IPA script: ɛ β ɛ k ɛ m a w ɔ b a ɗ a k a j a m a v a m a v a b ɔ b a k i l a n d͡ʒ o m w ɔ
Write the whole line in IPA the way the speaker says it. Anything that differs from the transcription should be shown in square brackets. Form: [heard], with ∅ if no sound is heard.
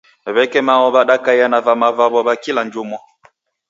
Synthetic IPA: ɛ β ɛ k ɛ m a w ɔ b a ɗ a k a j a [n] a v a m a v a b ɔ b a k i l a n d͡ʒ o m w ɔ